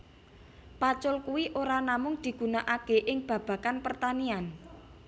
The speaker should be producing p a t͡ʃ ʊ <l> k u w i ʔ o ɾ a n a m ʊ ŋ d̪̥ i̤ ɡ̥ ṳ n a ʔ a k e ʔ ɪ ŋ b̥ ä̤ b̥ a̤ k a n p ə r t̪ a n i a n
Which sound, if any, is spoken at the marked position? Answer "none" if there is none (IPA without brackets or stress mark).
l